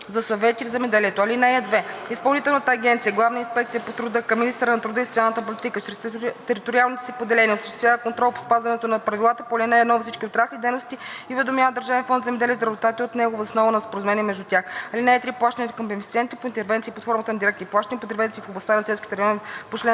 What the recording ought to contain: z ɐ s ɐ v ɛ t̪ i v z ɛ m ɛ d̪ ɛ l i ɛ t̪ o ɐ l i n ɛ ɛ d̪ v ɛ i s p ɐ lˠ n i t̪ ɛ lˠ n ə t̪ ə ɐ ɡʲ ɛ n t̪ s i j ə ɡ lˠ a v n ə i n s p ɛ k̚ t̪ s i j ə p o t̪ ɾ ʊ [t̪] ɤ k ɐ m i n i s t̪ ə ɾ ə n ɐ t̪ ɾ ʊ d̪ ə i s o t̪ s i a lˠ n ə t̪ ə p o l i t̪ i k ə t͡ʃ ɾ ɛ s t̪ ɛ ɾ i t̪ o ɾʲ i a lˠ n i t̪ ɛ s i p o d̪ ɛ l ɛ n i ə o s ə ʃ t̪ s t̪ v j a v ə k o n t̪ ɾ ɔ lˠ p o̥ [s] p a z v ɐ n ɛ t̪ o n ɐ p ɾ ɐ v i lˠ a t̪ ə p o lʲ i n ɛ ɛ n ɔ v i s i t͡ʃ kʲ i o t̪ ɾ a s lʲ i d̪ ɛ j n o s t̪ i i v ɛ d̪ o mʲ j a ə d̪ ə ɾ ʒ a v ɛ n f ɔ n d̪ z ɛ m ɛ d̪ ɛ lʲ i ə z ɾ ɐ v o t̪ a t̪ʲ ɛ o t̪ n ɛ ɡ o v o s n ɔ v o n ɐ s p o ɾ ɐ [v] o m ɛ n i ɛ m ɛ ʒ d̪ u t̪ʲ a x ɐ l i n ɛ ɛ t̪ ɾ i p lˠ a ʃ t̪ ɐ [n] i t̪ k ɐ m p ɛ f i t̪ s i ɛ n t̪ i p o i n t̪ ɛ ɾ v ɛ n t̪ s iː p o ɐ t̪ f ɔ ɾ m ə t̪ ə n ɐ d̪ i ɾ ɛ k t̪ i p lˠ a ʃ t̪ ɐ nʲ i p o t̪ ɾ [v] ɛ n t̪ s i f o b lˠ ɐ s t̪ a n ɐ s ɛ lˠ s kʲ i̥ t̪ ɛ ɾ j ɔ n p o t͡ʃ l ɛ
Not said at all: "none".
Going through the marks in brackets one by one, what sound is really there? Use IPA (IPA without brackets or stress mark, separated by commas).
d̪, s, z, n, v